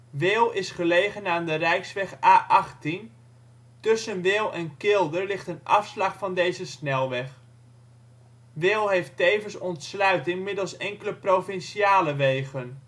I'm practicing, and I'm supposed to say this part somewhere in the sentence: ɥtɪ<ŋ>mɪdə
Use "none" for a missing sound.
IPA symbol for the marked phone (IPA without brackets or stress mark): ŋ